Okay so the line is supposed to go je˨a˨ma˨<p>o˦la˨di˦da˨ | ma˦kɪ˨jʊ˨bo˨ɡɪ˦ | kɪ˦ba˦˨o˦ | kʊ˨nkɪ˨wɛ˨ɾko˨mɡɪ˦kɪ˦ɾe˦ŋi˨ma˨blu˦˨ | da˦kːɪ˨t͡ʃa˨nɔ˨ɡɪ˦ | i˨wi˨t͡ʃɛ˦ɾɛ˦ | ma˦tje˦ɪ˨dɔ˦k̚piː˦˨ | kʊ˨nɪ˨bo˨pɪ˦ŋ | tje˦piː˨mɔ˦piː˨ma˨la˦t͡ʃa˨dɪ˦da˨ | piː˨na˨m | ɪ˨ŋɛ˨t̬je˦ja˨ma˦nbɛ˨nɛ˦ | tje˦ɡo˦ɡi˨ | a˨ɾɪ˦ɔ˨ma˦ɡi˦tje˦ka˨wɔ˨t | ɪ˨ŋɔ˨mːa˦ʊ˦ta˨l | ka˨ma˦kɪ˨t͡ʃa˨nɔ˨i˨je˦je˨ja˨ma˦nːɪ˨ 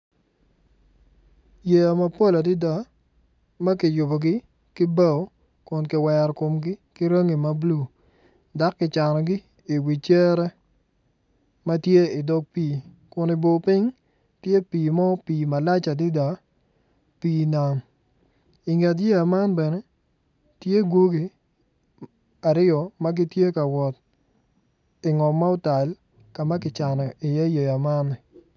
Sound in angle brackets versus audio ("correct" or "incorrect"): correct